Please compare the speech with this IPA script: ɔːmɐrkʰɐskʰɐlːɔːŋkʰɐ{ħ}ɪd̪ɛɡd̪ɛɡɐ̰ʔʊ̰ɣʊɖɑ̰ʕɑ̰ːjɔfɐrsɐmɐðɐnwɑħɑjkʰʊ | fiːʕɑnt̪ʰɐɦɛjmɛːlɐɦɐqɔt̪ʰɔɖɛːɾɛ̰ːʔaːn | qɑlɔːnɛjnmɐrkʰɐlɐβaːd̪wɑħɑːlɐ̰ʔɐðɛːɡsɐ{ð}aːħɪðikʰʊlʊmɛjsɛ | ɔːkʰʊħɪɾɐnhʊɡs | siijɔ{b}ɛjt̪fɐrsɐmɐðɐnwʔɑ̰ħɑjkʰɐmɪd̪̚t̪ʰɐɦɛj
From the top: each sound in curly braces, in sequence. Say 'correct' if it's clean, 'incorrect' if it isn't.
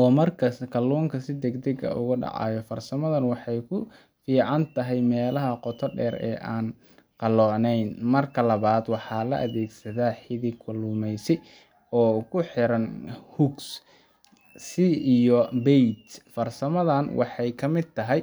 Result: incorrect: s, correct, correct

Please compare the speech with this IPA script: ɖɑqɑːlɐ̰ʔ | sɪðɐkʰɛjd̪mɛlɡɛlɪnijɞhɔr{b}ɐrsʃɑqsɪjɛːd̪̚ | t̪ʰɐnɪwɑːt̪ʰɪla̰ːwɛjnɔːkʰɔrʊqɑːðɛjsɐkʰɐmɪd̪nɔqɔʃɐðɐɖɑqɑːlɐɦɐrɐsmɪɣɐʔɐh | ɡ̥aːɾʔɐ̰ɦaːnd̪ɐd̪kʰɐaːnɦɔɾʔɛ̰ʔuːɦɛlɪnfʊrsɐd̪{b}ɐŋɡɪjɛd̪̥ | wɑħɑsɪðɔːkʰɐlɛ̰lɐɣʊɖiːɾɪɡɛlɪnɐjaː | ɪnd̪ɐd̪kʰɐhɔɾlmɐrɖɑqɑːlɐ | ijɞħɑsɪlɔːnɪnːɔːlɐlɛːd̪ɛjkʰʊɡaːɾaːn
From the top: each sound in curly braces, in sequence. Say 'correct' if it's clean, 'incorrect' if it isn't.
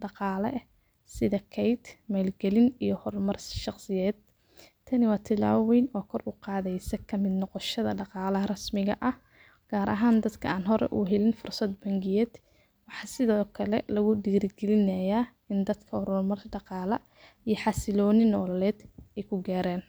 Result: incorrect: m, correct

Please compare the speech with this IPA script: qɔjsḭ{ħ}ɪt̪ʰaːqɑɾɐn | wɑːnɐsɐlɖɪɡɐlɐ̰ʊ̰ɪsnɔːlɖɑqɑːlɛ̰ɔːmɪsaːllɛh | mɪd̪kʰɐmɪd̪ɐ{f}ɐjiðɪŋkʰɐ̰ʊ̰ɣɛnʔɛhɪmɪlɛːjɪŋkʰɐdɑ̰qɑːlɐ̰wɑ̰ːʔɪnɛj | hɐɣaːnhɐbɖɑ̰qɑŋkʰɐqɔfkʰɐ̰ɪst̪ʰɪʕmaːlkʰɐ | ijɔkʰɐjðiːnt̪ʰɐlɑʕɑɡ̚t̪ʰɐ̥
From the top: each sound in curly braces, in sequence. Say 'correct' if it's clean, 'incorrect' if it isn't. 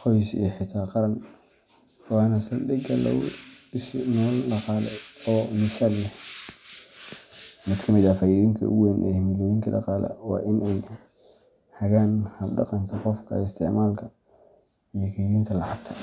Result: correct, correct

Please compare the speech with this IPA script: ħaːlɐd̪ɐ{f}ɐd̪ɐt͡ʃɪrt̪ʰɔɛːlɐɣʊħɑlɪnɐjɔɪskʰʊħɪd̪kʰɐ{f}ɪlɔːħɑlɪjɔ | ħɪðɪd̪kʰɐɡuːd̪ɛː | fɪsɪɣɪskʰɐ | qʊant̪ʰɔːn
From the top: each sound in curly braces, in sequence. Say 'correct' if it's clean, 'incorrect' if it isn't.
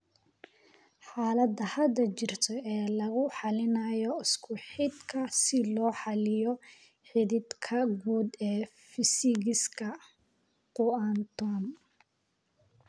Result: incorrect: h, incorrect: s

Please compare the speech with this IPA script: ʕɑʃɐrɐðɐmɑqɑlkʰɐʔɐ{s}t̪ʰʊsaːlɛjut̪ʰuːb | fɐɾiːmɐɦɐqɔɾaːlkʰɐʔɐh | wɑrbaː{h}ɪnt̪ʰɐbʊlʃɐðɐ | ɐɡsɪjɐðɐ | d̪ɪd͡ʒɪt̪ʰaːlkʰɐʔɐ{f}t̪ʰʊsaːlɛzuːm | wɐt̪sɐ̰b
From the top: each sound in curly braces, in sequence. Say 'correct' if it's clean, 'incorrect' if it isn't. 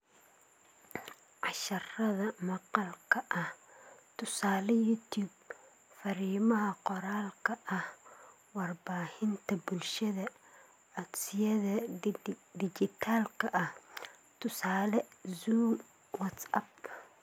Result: incorrect: h, correct, incorrect: h

